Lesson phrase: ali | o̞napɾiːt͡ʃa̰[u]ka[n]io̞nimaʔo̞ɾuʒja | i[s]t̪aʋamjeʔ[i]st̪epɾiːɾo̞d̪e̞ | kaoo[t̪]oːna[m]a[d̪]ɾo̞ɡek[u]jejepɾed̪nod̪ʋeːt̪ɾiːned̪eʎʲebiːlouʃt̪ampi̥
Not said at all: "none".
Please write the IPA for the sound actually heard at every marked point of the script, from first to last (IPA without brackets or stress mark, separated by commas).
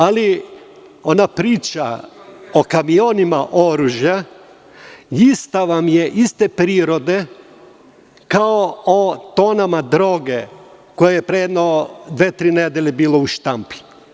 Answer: o, m, s, i, t̪, m, d̪, o